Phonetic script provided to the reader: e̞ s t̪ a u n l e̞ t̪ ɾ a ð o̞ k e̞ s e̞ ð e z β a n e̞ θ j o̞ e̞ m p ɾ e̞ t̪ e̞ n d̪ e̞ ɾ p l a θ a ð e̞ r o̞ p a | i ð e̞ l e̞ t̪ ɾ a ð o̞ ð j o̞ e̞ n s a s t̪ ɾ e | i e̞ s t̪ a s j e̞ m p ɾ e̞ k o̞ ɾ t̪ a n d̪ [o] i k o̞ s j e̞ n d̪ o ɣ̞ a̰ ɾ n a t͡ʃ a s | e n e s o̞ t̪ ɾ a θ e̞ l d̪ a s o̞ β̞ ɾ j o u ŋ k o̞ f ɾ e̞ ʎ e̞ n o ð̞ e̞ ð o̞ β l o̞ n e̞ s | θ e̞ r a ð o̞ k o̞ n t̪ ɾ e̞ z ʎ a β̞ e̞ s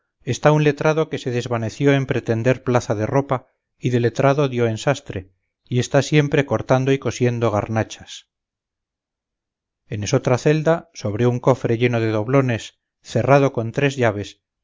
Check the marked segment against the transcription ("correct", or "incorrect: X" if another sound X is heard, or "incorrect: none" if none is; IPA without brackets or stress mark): correct